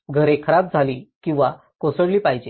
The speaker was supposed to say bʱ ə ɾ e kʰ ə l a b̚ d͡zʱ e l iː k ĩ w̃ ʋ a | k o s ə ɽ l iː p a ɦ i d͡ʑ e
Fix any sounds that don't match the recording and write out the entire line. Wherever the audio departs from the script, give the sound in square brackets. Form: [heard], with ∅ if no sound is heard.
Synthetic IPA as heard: [ɡʱ] ə ɾ e kʰ ə [ɾ] a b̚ d͡zʱ [a] l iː k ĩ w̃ ʋ a | k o s ə ɽ l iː p a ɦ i d͡ʑ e